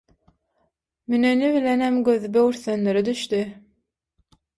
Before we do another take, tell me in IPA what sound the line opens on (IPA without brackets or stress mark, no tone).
m